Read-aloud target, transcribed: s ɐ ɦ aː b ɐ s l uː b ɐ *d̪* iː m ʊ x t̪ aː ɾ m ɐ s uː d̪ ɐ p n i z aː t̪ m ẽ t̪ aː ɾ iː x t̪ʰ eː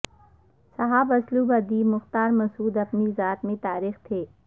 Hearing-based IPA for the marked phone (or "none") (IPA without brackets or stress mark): d̪